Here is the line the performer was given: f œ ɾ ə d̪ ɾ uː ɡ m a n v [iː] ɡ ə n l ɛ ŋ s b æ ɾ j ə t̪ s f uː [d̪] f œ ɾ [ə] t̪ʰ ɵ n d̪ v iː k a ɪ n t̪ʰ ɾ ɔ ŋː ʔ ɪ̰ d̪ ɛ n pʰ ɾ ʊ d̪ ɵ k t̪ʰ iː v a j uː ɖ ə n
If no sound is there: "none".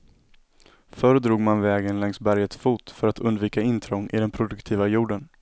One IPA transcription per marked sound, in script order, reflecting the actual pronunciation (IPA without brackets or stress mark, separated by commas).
ɛː, t̪, a